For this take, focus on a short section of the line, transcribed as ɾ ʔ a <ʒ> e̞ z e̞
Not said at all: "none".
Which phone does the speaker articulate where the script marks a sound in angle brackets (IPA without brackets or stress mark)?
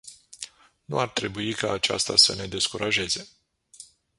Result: ʒ